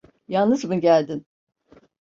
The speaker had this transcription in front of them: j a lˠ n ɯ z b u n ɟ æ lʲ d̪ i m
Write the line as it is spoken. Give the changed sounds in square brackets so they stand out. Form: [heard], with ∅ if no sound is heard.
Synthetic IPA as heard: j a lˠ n ɯ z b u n ɟ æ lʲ d̪ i [n]